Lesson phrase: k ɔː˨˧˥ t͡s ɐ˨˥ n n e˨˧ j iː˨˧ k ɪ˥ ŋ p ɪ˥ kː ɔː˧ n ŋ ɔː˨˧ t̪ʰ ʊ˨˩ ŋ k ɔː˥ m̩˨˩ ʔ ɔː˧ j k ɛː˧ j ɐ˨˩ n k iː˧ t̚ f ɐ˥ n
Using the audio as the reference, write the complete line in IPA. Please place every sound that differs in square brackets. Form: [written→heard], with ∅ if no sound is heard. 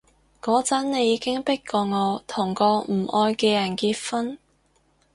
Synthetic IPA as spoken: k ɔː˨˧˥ t͡s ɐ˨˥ n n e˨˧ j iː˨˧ k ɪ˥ ŋ p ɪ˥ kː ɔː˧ [n→∅] ŋ ɔː˨˧ t̪ʰ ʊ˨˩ ŋ k [ɔː˥→ɔː˧] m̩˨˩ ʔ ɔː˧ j k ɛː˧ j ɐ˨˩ n k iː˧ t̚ f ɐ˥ n